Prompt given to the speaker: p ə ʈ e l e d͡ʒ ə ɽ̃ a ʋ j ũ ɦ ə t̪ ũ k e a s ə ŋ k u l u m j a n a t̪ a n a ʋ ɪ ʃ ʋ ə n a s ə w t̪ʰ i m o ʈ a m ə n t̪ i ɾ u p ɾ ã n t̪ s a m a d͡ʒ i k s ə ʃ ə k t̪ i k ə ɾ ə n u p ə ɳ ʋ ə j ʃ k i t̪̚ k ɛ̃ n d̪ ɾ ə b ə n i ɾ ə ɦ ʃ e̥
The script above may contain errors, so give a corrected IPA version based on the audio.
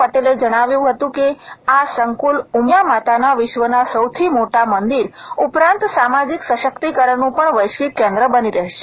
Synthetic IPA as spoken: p ə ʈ e l e d͡ʒ ə ɽ̃ a ʋ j ũ ɦ ə t̪ ũ k e a s ə ŋ k u l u m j a m a t̪ a n a ʋ ɪ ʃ ʋ ə n a s ə w t̪ʰ i m o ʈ a m ə n d̪ i ɾ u p ɾ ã n t̪ s a m a d͡ʒ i k s ə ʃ ə k t̪ i k ə ɾ ə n ũ p ə ɳ ʋ ə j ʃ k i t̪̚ k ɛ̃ n d̪ ɾ ə b ə n i ɾ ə ɦ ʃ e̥